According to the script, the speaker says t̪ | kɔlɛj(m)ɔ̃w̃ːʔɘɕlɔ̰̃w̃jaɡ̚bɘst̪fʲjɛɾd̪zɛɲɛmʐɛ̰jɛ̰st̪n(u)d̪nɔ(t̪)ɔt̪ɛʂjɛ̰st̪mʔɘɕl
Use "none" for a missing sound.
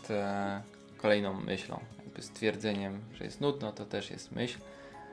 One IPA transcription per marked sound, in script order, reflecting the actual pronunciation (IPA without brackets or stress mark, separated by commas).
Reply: n, u, t̪